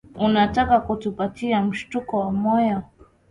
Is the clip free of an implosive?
yes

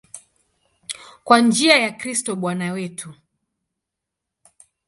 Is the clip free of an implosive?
no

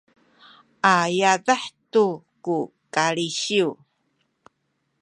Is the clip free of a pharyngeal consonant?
no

